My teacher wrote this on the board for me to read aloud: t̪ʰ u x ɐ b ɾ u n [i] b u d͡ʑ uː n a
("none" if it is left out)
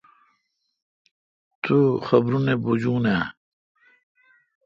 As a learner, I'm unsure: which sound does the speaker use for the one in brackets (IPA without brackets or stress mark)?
e